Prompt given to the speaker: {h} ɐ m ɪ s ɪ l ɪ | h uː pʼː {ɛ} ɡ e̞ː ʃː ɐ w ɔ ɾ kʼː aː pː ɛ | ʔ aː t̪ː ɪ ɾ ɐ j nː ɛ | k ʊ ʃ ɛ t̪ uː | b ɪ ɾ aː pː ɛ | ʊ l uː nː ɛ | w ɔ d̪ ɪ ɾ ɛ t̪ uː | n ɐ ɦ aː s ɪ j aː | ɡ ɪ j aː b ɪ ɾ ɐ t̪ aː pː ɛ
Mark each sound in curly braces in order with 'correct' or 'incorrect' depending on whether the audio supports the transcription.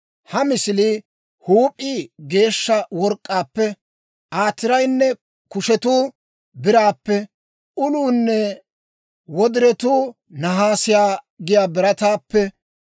correct, incorrect: i

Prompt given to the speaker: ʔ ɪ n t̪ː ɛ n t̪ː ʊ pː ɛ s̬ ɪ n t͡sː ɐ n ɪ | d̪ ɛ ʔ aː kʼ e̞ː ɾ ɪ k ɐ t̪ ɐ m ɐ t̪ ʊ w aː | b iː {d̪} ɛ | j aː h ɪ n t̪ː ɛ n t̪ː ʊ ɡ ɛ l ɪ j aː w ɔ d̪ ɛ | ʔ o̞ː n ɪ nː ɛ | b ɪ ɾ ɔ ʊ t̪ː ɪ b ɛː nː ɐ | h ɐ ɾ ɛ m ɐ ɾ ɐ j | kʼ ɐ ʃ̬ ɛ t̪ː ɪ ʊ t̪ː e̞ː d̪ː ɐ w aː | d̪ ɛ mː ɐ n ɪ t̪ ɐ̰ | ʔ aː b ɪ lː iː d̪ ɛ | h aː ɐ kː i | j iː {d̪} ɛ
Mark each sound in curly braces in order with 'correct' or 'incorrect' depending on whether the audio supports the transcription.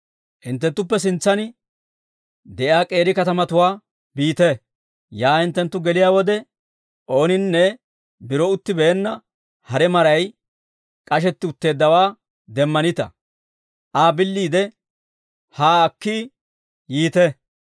incorrect: t̪, incorrect: t̪

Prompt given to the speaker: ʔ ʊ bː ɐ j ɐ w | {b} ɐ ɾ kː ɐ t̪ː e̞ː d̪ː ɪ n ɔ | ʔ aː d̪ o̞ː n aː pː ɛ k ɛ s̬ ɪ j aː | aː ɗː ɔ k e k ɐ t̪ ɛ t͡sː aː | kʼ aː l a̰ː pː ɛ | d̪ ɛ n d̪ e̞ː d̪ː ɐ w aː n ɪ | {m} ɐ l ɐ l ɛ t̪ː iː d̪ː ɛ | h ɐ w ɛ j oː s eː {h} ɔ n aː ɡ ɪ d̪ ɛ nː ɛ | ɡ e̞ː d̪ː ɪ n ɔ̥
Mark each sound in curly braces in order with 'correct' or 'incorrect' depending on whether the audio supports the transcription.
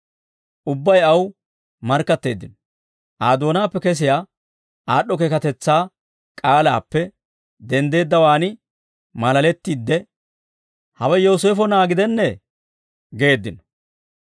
incorrect: m, correct, incorrect: f

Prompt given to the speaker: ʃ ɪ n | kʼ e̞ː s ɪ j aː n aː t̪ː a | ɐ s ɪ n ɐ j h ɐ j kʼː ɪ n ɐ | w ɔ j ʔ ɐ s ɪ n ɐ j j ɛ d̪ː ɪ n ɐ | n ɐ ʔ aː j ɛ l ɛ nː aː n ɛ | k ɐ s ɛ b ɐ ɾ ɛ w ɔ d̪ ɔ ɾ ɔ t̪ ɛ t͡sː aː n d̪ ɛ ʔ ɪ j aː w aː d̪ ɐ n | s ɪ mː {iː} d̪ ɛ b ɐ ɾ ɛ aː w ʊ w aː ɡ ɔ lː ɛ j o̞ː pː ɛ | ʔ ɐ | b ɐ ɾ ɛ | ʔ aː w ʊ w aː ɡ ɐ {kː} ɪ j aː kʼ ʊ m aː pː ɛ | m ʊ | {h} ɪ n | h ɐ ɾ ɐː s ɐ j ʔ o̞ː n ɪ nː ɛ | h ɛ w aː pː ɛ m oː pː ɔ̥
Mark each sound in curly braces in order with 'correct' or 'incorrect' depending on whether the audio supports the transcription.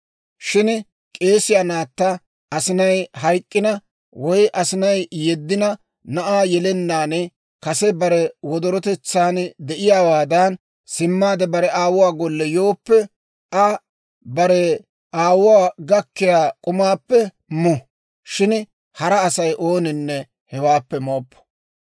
incorrect: aː, correct, incorrect: ʃ

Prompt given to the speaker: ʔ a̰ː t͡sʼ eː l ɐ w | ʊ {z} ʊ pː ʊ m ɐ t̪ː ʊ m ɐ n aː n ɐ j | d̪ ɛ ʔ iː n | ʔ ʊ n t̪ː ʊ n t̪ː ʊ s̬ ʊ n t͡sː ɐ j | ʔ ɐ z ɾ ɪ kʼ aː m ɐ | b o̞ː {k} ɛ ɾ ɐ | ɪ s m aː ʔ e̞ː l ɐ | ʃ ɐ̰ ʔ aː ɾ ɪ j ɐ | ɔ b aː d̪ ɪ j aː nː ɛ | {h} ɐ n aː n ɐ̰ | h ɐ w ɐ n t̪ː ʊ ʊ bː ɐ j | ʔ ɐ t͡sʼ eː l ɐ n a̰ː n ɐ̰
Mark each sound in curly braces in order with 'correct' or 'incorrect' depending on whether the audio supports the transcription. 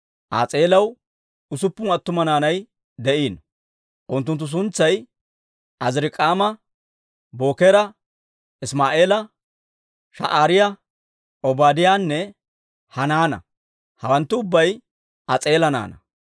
incorrect: s, correct, correct

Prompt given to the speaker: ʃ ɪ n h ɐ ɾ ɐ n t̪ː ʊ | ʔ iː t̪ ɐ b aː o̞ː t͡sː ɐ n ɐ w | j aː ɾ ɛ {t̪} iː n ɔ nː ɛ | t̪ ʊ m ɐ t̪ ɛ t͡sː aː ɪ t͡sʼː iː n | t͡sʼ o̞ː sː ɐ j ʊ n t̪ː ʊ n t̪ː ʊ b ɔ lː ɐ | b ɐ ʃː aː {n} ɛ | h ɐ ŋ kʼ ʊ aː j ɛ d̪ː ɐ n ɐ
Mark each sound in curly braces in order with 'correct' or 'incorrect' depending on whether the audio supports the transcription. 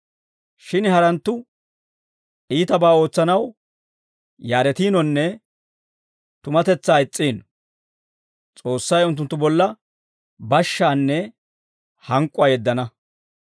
correct, incorrect: nː

